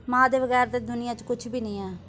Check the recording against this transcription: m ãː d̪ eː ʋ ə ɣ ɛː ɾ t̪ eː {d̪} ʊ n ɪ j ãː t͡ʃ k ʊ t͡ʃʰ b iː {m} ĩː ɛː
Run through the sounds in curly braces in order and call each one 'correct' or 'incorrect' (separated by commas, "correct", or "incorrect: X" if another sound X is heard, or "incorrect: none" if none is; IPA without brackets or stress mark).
correct, incorrect: n